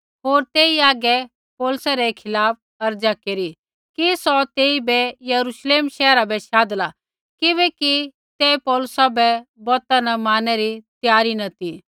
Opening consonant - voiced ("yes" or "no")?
yes